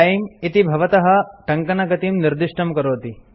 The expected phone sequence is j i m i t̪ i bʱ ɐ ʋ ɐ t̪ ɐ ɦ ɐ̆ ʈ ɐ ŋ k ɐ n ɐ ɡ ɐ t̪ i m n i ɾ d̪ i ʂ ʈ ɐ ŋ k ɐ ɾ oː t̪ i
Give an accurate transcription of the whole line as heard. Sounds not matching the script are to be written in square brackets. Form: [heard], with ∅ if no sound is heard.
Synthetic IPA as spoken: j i m i t̪ i bʱ ɐ ʋ ɐ t̪ ɐ ɦ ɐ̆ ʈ ɐ ŋ k ɐ n ɐ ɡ ɐ t̪ i m n i ɾ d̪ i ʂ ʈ ɐ [m] k ɐ ɾ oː t̪ i